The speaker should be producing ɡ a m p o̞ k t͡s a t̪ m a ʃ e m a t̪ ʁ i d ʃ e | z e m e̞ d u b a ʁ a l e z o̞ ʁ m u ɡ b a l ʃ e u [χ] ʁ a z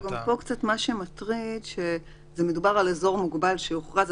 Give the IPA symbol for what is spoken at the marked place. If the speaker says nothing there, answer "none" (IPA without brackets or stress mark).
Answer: χ